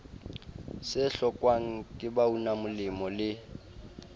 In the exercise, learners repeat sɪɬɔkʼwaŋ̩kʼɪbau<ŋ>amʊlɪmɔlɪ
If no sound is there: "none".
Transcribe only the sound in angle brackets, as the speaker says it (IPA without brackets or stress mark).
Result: n